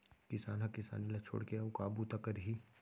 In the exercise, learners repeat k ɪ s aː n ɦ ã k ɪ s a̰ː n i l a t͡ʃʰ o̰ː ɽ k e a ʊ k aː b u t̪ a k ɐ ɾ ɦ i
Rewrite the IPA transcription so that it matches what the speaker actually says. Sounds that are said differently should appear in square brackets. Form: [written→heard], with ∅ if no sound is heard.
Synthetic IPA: k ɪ s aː n ɦ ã k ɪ s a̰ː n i l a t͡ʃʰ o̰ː ɽ k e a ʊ k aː b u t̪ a k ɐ ɾ ɦ i